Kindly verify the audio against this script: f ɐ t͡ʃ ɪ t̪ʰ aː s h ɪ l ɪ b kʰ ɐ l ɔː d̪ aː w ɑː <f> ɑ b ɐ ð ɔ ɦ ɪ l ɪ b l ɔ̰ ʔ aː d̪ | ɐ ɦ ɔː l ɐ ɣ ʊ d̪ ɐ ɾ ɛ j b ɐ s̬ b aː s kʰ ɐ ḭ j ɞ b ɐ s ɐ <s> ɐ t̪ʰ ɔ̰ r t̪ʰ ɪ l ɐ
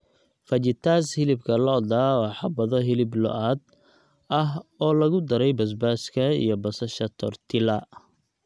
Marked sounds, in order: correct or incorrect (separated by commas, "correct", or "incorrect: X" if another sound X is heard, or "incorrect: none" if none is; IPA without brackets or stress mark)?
incorrect: ħ, incorrect: ʃ